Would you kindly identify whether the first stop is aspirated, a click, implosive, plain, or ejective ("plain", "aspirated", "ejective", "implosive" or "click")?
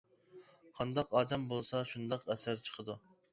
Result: aspirated